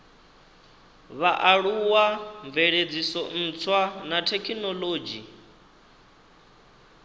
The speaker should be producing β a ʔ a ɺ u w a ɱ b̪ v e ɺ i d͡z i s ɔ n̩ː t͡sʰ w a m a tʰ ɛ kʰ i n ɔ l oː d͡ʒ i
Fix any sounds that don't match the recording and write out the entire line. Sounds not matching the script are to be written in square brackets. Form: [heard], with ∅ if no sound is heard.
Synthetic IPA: β a ʔ a ɺ u w a ɱ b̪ v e ɺ [e] d͡z i s ɔ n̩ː t͡sʰ w a [n] a tʰ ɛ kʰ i n ɔ l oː d͡ʒ i